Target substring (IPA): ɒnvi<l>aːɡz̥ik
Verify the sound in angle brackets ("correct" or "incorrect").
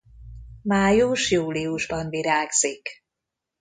incorrect